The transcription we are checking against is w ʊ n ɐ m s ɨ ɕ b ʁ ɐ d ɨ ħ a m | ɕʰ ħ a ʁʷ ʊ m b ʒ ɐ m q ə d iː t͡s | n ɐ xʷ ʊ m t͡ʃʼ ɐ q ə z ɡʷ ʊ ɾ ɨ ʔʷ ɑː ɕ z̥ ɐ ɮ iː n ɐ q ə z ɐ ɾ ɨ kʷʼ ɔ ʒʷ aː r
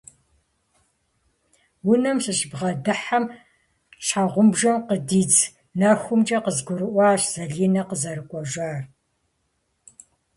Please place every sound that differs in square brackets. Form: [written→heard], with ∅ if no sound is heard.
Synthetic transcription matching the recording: w ʊ n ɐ m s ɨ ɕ b ʁ ɐ d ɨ ħ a m | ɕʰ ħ a ʁʷ ʊ m b ʒ ɐ m q ə d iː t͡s | n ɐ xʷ ʊ m t͡ʃʼ ɐ q ə z ɡʷ ʊ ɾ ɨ ʔʷ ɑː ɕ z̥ ɐ ɮ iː n ɐ q ə z ɐ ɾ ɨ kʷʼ ɔ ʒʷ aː r